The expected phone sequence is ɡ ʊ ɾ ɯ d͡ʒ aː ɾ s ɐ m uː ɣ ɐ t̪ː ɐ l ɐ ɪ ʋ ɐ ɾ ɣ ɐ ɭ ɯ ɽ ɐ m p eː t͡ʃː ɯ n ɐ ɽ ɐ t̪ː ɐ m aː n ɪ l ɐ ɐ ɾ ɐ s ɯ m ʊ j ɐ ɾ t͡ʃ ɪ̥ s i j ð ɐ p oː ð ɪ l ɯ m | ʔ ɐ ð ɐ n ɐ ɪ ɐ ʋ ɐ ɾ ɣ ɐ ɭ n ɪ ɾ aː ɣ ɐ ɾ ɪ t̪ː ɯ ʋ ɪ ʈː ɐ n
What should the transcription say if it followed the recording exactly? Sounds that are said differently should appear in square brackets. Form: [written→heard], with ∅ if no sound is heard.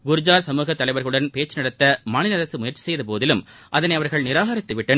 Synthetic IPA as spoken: ɡ ʊ ɾ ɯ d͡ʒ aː ɾ s ɐ m uː ɣ ɐ t̪ː ɐ l ɐ ɪ ʋ ɐ ɾ ɣ ɐ ɭ ɯ ɽ ɐ [m→n] p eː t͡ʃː ɯ n ɐ ɽ ɐ t̪ː ɐ m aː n ɪ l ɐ ɐ ɾ ɐ s ɯ m ʊ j ɐ ɾ t͡ʃ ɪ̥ s [i→ɛ] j ð ɐ p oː ð ɪ l ɯ m | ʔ ɐ ð ɐ n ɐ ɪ ɐ ʋ ɐ ɾ ɣ ɐ ɭ n ɪ ɾ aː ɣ ɐ ɾ ɪ t̪ː ɯ ʋ ɪ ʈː ɐ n